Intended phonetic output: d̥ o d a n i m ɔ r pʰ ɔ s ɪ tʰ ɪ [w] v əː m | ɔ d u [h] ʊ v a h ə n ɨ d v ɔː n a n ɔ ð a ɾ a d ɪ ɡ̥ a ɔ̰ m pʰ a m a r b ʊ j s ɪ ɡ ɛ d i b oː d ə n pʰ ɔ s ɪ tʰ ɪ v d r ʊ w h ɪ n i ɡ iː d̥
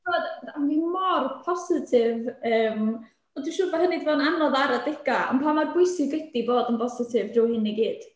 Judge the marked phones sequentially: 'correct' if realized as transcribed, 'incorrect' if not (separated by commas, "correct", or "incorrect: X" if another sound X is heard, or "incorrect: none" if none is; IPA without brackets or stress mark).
incorrect: none, incorrect: ʃ